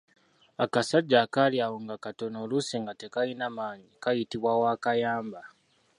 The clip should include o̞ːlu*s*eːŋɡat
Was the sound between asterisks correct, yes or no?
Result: yes